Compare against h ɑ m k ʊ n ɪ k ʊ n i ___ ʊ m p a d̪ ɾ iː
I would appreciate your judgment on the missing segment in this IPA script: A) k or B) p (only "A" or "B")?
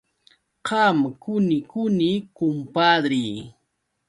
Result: A